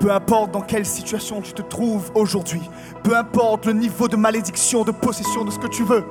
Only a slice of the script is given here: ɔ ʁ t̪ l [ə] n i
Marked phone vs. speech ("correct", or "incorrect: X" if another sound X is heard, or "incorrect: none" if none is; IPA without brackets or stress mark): correct